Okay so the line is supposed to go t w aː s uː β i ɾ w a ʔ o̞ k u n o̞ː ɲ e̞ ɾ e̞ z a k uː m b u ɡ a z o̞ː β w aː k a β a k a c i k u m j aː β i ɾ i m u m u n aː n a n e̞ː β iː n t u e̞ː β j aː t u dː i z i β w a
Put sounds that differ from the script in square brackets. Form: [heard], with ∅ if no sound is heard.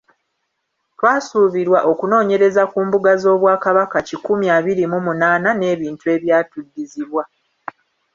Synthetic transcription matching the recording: t w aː s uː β i ɾ w a ʔ o̞ k u n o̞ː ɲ e̞ ɾ e̞ z a k uː m b u ɡ a z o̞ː β w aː k a β a k a c i k u m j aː β i ɾ i m u m u n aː n a n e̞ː β iː n t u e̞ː β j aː t u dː i z i β w a

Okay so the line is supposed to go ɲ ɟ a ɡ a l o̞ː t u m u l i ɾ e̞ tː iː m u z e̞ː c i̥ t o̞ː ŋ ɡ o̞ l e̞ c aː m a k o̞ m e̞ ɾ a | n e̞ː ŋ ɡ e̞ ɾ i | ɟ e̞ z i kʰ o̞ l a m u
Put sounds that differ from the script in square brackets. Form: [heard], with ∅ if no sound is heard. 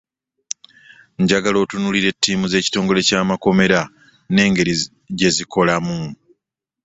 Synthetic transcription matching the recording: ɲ ɟ a ɡ a l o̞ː t u [n] u l i ɾ e̞ tː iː m u z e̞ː c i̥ t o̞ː ŋ ɡ o̞ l e̞ c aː m a k o̞ m e̞ ɾ a | n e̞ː ŋ ɡ e̞ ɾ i | ɟ e̞ z i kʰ o̞ l a m u

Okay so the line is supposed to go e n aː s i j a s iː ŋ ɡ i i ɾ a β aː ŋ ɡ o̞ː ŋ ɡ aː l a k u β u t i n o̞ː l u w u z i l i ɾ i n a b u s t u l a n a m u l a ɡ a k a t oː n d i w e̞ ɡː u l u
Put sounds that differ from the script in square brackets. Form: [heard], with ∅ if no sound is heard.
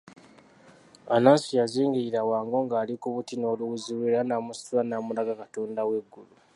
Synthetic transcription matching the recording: [a] n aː s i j a [z] iː ŋ ɡ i i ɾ a [w] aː ŋ ɡ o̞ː ŋ ɡ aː l [i] k u β u t i n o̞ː l u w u z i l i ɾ [a] n a [m] u s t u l a n a m u l a ɡ a k a t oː n d [a] w e̞ ɡː u l u

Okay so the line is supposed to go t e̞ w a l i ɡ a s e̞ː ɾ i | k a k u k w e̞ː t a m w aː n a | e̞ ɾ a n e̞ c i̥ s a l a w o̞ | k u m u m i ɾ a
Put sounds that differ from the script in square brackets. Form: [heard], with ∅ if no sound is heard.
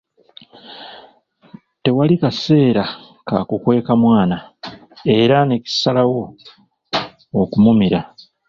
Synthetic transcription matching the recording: t e̞ w a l i [k] a s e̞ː ɾ [a] | k a k u k w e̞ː [k] a m w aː n a | e̞ ɾ a n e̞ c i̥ s a l a w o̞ | k u m u m i ɾ a

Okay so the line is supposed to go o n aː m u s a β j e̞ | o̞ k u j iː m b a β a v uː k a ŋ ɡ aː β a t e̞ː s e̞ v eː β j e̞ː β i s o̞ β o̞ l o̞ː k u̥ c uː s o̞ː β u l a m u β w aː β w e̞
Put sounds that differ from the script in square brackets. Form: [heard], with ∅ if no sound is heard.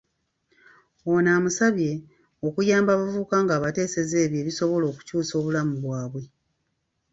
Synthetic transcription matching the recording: o n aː m u s a β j e̞ | o̞ k u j [aː] m b a β a v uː k a ŋ ɡ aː β a t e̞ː s e̞ [z] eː β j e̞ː β i s o̞ β o̞ l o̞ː k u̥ c uː s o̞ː β u l a m u β w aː β w e̞

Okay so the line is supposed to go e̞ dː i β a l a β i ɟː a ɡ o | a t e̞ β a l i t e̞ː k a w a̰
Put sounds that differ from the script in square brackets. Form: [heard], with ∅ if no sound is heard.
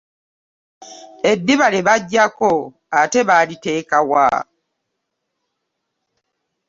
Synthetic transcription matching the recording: e̞ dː i β a l [e] β [a] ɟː a [k] o | a t e̞ β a l i t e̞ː k a w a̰

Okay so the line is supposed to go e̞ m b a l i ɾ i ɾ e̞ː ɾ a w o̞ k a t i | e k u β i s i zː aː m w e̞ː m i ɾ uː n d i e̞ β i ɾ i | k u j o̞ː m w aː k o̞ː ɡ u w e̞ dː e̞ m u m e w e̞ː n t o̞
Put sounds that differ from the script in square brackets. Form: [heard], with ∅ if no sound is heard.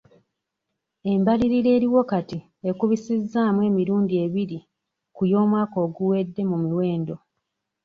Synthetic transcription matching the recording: e̞ m b a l i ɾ i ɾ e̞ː ɾ [i] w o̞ k a t i | e k u β i s i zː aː m w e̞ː m i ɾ uː n d i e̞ β i ɾ i | k u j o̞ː m w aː k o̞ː ɡ u w e̞ dː e̞ m u m [i] w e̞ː n [d] o̞

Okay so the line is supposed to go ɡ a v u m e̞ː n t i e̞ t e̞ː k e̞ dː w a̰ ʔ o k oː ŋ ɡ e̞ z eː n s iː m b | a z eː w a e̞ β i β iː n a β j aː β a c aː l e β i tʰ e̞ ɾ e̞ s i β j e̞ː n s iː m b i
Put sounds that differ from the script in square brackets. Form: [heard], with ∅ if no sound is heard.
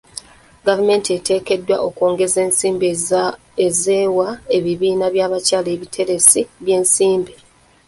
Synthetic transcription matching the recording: ɡ a v u m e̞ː n t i e̞ t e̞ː k e̞ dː w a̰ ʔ o k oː ŋ ɡ e̞ z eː n s iː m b | [e] z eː w a e̞ β i β iː n a β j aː β a c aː l e β i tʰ e̞ ɾ e̞ s i β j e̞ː n s iː m b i

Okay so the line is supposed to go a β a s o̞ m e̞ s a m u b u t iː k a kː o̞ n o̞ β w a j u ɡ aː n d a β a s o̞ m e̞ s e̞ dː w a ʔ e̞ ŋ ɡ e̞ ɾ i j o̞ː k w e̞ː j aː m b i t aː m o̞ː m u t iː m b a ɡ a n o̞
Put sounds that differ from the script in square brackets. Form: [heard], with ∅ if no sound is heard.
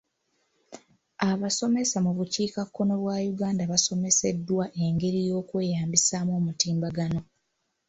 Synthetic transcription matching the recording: a β a s o̞ m e̞ s a m u [β] u [c] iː k a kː o̞ n o̞ β w a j u ɡ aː n d a β a s o̞ m e̞ s e̞ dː w a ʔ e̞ ŋ ɡ e̞ ɾ i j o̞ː k w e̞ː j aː m b i [s] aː m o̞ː m u t iː m b a ɡ a n o̞

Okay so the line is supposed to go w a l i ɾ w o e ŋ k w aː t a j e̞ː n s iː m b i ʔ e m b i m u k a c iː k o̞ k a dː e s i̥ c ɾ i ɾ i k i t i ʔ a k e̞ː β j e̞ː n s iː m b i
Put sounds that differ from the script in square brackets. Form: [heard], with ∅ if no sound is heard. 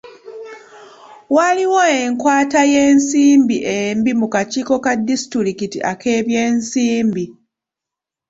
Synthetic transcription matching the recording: w a l i [∅] w o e ŋ k w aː t a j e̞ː n s iː m b i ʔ e m b i m u k a c iː k o̞ k a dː [i] s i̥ [t] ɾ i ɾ i k i t i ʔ a k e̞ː β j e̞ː n s iː m b i

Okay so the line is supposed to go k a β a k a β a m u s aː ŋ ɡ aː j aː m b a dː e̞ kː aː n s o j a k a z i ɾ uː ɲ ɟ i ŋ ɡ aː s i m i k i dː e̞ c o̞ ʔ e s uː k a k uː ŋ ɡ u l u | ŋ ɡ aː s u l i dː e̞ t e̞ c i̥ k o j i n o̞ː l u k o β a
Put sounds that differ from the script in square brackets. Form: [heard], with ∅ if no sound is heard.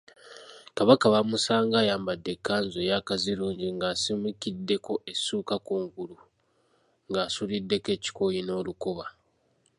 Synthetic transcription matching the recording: k a β a k a β a m u s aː ŋ ɡ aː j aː m b a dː e̞ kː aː n [z] o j a k a z i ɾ uː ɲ ɟ i ŋ ɡ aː s i m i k i dː e̞ [k] o̞ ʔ e s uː k a k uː ŋ ɡ u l u | ŋ ɡ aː s u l i dː e̞ [k] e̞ c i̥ k o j i n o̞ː l u k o β a

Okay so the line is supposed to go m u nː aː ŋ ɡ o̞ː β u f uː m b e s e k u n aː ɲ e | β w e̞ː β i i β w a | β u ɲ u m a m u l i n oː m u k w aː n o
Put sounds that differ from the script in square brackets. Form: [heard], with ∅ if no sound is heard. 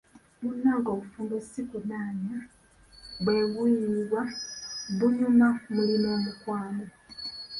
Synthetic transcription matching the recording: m u nː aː ŋ ɡ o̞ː β u f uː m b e s [i] k u n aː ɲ [a] | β w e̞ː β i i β w a | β u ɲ u m a m u l i n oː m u k w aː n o

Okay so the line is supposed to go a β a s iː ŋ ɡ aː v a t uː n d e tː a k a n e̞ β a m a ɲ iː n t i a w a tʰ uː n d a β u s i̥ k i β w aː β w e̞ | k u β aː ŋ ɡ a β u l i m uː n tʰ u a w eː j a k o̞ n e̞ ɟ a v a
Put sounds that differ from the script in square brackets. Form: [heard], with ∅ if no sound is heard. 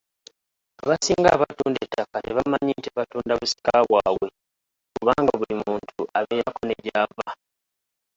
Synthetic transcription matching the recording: a β a s iː ŋ ɡ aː [β] a t uː n d e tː a k a n e̞ β a m a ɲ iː n t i a [β] a [t] uː n d a β u s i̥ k [a] β w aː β w e̞ | k u β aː ŋ ɡ a β u l i m uː n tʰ u a [β] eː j a k o̞ n e̞ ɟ a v a

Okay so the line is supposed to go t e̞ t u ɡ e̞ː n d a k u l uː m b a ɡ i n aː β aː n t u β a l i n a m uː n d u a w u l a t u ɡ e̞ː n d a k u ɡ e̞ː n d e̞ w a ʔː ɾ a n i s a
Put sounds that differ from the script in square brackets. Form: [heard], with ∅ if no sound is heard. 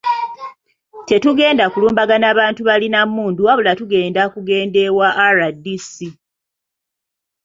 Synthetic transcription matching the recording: t e̞ t u ɡ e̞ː n d a k u l uː m b a ɡ [a] n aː β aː n t u β a l i n a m uː n d u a [β] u l a t u ɡ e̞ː n d a k u ɡ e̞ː n d e̞ w a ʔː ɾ a [d] i s [i]

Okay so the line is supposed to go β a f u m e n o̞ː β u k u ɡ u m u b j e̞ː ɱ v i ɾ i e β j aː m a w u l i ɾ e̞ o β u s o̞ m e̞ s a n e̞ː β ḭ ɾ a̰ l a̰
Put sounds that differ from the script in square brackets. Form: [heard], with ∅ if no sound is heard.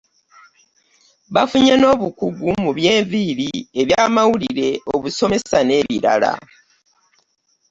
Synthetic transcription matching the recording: β a f u [ɲ] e n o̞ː β u k u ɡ u m u [β] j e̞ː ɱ v i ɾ i e β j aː m a w u l i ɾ e̞ o β u s o̞ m e̞ s a n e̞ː β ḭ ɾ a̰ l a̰

